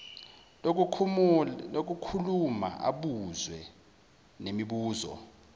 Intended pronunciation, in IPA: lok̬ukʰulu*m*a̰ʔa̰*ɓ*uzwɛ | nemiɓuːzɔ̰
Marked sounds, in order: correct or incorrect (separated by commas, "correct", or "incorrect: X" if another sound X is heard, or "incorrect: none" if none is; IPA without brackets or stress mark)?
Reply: correct, correct